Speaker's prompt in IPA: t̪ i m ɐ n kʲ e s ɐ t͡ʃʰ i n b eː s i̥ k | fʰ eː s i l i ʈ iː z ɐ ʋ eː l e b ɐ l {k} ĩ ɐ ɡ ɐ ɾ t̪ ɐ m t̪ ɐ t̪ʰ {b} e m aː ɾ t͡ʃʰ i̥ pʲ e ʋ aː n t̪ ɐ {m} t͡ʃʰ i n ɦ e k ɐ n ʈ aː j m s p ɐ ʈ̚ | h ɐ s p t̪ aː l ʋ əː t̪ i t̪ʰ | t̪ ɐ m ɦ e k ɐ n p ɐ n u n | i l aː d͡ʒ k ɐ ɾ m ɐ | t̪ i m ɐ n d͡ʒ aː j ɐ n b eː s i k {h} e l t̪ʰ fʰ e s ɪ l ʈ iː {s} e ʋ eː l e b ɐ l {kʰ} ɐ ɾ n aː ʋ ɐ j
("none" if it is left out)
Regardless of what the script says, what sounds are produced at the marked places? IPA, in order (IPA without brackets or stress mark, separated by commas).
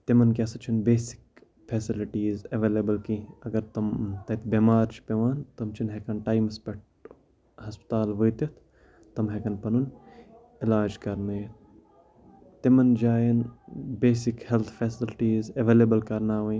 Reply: k, b, m, h, z, k